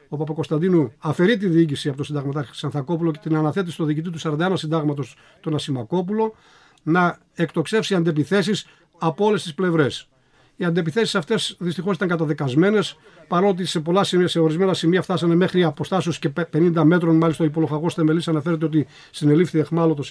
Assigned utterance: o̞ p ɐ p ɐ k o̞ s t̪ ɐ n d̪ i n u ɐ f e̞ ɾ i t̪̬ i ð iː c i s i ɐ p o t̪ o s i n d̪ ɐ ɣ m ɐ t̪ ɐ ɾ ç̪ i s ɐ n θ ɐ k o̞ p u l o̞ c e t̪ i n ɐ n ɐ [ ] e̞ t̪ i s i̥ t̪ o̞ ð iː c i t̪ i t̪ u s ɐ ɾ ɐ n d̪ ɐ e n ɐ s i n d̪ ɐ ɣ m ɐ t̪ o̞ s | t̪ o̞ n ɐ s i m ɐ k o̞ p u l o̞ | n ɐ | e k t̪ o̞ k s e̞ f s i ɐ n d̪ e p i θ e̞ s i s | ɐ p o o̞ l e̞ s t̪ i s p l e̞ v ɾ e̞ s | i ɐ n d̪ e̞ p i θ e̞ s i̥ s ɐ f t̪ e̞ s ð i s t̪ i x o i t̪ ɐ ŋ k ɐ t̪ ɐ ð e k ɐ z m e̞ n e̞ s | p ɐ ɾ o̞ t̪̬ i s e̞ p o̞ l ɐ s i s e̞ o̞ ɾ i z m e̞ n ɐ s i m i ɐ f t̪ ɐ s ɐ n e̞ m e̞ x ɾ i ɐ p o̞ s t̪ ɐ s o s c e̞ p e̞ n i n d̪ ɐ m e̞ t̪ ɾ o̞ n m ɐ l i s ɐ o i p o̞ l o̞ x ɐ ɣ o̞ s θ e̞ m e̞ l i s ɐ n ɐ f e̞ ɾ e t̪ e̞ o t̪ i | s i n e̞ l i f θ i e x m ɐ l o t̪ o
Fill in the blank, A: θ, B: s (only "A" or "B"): A